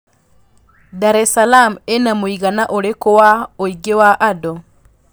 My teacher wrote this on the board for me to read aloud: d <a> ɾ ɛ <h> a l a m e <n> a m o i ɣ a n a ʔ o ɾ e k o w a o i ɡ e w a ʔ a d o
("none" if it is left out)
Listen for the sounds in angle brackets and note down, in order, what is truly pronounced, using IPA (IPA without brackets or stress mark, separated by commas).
a, s, n